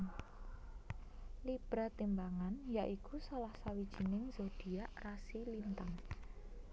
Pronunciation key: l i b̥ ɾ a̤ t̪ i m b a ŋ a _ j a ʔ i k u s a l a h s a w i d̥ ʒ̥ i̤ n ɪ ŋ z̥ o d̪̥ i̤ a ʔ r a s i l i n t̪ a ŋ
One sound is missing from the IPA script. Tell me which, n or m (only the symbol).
n